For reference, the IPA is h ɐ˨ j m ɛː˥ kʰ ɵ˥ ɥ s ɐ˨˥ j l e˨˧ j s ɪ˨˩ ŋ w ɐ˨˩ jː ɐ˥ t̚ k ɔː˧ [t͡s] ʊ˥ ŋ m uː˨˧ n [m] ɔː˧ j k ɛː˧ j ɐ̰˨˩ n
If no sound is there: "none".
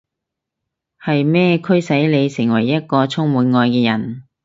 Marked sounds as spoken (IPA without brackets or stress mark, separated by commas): t͡sʰ, ŋ